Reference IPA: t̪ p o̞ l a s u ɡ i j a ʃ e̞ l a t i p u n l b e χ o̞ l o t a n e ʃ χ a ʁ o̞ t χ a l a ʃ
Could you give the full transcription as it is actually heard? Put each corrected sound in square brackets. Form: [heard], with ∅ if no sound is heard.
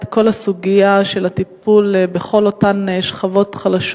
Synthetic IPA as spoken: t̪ [k] o̞ l a s u ɡ i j a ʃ e̞ l a t i p u [∅] l b e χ o̞ l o t a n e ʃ χ a [v] o̞ t χ a l a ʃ